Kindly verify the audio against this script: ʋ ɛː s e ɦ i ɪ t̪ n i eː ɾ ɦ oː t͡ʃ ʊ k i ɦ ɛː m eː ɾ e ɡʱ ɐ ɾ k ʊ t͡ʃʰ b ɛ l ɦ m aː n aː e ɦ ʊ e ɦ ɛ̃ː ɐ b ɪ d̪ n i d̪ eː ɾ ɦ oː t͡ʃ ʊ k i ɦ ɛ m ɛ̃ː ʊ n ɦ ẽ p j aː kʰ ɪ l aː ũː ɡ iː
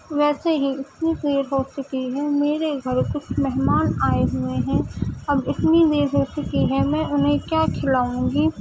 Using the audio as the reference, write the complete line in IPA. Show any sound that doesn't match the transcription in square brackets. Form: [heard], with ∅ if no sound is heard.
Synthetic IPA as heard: ʋ ɛː s e ɦ i ɪ t̪ n i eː ɾ ɦ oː t͡ʃ ʊ k i ɦ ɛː m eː ɾ e ɡʱ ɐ ɾ k ʊ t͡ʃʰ [m] ɛ [∅] ɦ m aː n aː e ɦ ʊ e ɦ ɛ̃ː ɐ b ɪ [t̪] n i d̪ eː ɾ ɦ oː t͡ʃ ʊ k i ɦ ɛ m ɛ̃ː ʊ n ɦ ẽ [k] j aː kʰ ɪ l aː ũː ɡ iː

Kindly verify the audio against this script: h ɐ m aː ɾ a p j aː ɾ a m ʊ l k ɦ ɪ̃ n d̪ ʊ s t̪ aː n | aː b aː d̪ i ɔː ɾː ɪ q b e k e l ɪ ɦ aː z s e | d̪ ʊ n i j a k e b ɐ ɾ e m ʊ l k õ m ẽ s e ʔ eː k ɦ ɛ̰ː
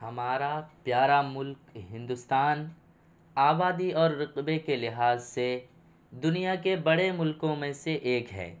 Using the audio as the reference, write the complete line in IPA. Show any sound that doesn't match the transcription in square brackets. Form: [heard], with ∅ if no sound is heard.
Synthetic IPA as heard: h ɐ m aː ɾ a p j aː ɾ a m ʊ l k ɦ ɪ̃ n d̪ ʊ s t̪ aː n | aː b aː d̪ i ɔː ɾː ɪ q b e k e l ɪ ɦ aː z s e | d̪ ʊ n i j a k e b ɐ [ɽ] e m ʊ l k õ m ẽ s e ʔ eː k ɦ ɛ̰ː

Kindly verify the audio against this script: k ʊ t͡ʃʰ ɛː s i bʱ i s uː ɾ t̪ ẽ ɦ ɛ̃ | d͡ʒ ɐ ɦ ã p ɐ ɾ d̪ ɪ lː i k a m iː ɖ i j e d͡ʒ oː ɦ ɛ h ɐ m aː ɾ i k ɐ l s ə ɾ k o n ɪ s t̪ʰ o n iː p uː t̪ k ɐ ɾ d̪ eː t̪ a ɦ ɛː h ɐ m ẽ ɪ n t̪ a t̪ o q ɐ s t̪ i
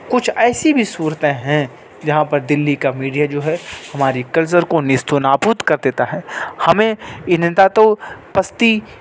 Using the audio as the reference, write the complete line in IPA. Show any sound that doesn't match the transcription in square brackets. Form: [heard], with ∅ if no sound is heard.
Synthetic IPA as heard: k ʊ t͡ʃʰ ɛː s i bʱ i s uː ɾ t̪ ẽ ɦ ɛ̃ | d͡ʒ ɐ ɦ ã p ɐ ɾ d̪ ɪ lː i k a m iː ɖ i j [a] d͡ʒ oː ɦ ɛ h ɐ m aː ɾ i k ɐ l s ə ɾ k o n ɪ s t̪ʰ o n [aː] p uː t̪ k ɐ ɾ d̪ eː t̪ a ɦ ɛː h ɐ m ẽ ɪ n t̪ a t̪ o [p] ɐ s t̪ i

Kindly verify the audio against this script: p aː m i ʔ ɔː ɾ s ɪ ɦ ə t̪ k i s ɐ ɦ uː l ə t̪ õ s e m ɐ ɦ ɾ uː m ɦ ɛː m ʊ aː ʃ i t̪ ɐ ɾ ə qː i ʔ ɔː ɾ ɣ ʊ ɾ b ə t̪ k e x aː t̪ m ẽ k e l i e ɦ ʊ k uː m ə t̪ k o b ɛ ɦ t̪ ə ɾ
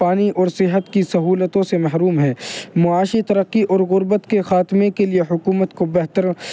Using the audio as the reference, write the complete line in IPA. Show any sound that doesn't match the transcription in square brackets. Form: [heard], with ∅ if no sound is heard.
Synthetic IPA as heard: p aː [n] i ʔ ɔː ɾ s ɪ ɦ ə t̪ k i s ɐ ɦ uː l ə t̪ õ s e m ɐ ɦ ɾ uː m ɦ ɛː m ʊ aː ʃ i t̪ ɐ ɾ ə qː i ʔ ɔː ɾ ɣ ʊ ɾ b ə t̪ k e x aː t̪ m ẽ k e l i e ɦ ʊ k uː m ə t̪ k o b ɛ ɦ t̪ ə ɾ

